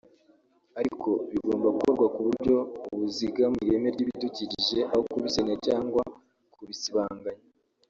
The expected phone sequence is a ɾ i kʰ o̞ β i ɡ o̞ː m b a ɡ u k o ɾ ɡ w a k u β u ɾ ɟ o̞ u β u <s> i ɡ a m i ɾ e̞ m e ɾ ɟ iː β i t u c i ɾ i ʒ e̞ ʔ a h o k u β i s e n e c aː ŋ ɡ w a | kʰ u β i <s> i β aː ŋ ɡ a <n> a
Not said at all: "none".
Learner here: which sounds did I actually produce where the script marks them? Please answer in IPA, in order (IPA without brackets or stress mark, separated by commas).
z, s, ɲ